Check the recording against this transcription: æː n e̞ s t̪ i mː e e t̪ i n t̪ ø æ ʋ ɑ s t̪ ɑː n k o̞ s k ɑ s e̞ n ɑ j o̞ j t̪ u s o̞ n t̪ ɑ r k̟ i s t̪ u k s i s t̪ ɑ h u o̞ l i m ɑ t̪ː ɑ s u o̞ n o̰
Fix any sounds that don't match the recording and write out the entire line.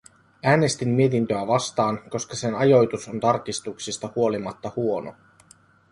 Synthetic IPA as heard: æː n e̞ s t̪ i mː i e t̪ i n t̪ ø æ ʋ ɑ s t̪ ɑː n k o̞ s k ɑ s e̞ n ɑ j o̞ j t̪ u s o̞ n t̪ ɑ r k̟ i s t̪ u k s i s t̪ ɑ h u o̞ l i m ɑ t̪ː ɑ h u o̞ n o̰